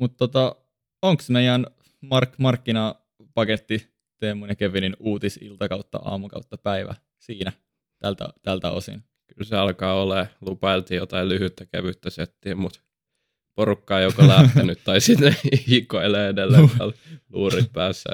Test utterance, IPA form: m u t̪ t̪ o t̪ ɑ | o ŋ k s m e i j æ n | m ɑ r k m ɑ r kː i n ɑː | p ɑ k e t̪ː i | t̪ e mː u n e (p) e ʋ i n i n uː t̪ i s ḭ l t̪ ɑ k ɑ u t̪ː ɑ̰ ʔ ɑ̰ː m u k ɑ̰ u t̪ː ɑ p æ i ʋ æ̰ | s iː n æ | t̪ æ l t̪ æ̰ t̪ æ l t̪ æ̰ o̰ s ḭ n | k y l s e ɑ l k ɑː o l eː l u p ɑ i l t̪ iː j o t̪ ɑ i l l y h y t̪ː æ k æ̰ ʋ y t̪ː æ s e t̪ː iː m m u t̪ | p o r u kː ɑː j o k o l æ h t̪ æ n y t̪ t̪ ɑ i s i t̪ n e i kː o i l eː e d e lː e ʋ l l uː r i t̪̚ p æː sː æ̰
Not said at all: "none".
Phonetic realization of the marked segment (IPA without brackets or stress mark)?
k